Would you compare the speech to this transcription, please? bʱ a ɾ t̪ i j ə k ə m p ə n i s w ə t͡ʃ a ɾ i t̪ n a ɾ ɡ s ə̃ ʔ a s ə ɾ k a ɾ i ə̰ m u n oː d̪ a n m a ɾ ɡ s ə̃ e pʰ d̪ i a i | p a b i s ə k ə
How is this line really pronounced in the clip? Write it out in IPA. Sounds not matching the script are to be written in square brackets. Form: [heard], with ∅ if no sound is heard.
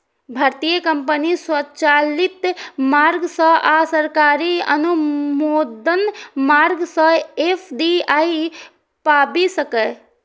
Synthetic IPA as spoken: bʱ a ɾ t̪ i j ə k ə m p ə n i s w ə t͡ʃ a [l] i t̪ [m] a ɾ ɡ s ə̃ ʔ a s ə ɾ k a ɾ i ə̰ [n] u [m] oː d̪ [ə] n m a ɾ ɡ s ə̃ e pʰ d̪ i a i | p a b i s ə k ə